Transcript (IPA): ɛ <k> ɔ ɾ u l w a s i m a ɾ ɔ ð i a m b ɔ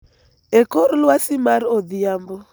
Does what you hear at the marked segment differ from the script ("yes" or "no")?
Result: no